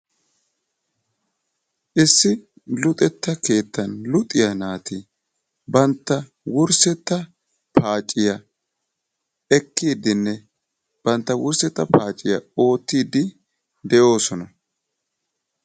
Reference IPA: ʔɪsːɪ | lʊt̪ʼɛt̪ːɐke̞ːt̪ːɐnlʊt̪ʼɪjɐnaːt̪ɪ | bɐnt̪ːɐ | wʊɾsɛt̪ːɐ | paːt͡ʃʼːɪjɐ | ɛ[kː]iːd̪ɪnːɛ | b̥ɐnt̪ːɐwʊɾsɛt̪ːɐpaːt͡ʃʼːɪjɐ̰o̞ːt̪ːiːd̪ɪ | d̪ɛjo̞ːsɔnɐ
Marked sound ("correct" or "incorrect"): correct